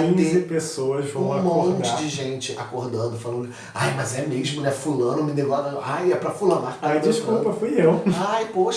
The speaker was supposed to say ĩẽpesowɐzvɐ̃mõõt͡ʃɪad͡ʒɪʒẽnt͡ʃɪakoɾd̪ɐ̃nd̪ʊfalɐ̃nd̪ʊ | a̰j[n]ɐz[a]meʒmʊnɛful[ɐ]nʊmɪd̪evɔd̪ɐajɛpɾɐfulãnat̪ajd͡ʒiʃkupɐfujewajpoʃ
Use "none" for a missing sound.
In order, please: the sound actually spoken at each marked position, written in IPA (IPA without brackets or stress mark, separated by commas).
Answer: m, ɛ, ɐ̃